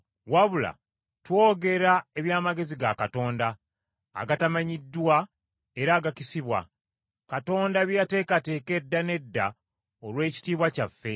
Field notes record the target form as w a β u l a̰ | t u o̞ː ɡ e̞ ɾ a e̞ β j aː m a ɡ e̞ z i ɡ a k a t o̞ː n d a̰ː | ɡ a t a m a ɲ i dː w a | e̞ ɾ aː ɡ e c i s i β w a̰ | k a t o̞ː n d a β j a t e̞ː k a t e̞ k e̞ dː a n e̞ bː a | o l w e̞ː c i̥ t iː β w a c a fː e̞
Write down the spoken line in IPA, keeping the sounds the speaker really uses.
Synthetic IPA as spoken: w a β u l a̰ | t w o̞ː ɡ e̞ ɾ a e̞ β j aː m a ɡ e̞ z i ɡ a k a t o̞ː n d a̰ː | ɡ a t a m a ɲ i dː w a | e̞ ɾ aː ɡ a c i s i β w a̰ | k a t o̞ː n d a β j a t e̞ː k a t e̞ k e̞ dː a n e̞ dː a | o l w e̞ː c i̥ t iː β w a c a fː e̞

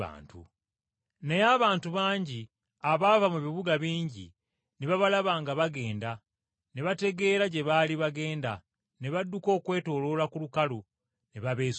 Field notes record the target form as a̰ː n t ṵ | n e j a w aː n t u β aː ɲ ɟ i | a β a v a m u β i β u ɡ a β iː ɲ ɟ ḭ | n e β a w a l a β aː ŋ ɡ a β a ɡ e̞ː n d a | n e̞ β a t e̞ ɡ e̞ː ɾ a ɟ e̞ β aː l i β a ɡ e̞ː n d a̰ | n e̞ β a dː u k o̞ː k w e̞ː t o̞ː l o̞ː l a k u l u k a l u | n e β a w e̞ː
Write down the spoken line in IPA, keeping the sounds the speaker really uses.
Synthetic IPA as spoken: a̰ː n t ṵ | n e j a β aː n t u β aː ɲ ɟ i | a β a v a m u β i β u ɡ a β iː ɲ ɟ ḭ | n e β a β a l a β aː ŋ ɡ a β a ɡ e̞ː n d a | n e̞ β a t e̞ ɡ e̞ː ɾ a ɟ e̞ β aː l i β a ɡ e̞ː n d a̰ | n e̞ β a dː u k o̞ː k w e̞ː t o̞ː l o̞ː l a k u l u k a l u | n e β a β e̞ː

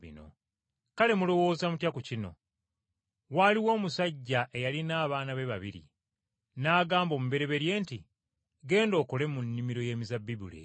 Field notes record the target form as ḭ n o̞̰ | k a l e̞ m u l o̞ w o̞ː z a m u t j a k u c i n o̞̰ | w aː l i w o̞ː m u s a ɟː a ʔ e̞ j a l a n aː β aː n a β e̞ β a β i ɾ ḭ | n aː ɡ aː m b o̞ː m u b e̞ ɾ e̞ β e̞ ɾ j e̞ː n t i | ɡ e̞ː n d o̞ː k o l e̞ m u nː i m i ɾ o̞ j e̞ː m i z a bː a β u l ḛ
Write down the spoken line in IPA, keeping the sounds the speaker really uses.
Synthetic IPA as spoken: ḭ n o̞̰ | k a l e̞ m u l o̞ w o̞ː z a m u t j a k u c i n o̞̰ | w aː l i w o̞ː m u s a ɟː a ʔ e̞ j a l i n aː β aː n a β e̞ β a β i ɾ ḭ | n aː ɡ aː m b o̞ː m u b e̞ ɾ e̞ β e̞ ɾ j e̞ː n t i | ɡ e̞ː n d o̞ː k o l e̞ m u nː i m i ɾ o̞ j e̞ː m i z a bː i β u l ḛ

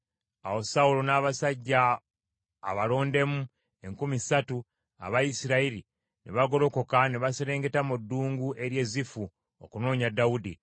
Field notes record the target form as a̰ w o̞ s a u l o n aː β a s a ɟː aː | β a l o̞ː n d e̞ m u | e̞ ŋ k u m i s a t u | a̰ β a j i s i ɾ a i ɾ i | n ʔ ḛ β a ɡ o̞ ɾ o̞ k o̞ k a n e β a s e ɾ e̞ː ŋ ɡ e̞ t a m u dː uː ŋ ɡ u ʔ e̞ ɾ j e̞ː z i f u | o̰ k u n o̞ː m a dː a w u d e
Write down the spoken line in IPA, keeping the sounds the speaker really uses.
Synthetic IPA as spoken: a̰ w o̞ s a u l o n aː β a s a ɟː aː | β a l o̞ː n d e̞ m u | e̞ ŋ k u m i s a t u | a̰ β a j i s i ɾ a i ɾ i | n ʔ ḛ β a ɡ o̞ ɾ o̞ k o̞ k a n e β a s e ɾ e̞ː ŋ ɡ e̞ t a m u dː uː ŋ ɡ u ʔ e̞ ɾ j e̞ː z i f u | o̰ k u n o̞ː ɲ a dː a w u d i

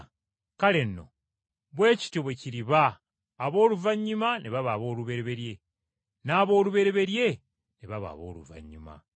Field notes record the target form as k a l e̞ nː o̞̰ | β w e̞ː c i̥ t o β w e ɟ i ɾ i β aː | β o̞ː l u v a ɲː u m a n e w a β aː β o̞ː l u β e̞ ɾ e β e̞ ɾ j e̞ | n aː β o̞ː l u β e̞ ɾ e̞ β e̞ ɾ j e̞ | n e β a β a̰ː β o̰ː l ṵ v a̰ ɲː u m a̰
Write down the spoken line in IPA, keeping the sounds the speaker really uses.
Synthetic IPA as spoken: k a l e̞ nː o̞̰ | β w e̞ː c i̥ t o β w e c i ɾ i β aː | β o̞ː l u v a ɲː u m a n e β a β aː β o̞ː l u β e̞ ɾ e β e̞ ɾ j e̞ | n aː β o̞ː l u β e̞ ɾ e̞ β e̞ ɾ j e̞ | n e β a β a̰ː β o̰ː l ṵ v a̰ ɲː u m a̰

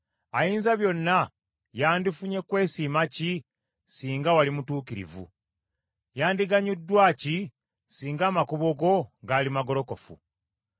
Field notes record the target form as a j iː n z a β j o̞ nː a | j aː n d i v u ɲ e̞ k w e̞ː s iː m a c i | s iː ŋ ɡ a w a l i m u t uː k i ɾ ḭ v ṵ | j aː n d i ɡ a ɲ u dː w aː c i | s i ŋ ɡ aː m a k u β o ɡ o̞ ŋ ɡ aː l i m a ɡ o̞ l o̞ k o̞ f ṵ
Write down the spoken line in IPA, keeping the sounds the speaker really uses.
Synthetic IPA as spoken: a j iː n z a β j o̞ nː a | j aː n d i f u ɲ e̞ k w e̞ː s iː m a c i | s iː ŋ ɡ a w a l i m u t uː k i ɾ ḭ v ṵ | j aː n d i ɡ a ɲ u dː w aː c i | s iː ŋ ɡ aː m a k u β o ɡ o̞ ŋ ɡ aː l i m a ɡ o̞ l o̞ k o̞ f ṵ

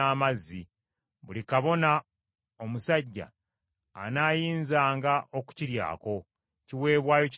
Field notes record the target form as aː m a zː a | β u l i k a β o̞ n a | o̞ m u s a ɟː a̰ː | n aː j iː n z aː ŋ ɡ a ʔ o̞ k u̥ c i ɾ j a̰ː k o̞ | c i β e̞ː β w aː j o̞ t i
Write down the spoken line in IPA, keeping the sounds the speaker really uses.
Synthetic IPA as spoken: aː m a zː i | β u l i k a β o̞ n a | o̞ m u s a ɟː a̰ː | n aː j iː n z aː ŋ ɡ a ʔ o̞ k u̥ c i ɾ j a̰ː k o̞ | c i w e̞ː β w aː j o̞ c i

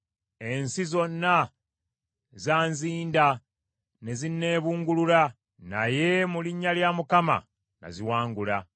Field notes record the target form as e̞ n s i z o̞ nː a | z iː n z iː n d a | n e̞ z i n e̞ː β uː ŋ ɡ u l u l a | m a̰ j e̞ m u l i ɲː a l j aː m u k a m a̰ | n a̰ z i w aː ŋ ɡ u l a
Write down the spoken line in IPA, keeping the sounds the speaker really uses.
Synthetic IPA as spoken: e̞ n s i z o̞ nː a | z aː n z iː n d a | n e̞ z i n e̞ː β uː ŋ ɡ u l u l a | n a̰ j e̞ m u l i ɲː a l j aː m u k a m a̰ | n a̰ z i w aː ŋ ɡ u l a

